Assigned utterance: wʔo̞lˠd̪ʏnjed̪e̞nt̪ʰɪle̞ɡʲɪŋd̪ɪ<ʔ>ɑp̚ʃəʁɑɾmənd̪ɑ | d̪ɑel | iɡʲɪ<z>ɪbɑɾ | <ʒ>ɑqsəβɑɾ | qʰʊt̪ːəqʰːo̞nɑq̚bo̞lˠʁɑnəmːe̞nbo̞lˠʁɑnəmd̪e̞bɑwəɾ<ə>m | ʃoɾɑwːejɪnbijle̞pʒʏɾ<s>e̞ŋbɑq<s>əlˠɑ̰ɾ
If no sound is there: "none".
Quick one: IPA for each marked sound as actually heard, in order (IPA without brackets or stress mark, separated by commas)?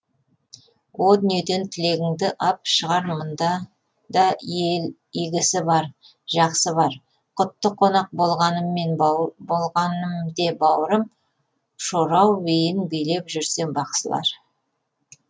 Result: ʔ, s, ʒ, ə, s, s